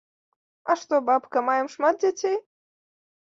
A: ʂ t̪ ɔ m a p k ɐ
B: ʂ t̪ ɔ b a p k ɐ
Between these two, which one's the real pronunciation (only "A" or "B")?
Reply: B